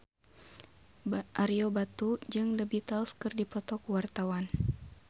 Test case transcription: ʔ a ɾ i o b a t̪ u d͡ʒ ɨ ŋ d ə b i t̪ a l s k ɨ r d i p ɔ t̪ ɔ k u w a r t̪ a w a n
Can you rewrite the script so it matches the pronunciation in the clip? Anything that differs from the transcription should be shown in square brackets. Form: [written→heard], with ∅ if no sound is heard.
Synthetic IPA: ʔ a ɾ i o b a t̪ u d͡ʒ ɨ ŋ d ə b i t̪ a l s k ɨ r d i p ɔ t̪ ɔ k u w a r t̪ a w a n